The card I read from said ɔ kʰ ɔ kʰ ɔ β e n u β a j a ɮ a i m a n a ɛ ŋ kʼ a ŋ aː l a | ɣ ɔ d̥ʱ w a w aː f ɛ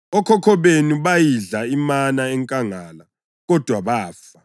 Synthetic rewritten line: ɔ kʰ ɔ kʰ ɔ β e n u β a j i ɮ a i m a n a ɛ ŋ kʼ a ŋ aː l a | ɣ ɔ d̥ʱ w a β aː f a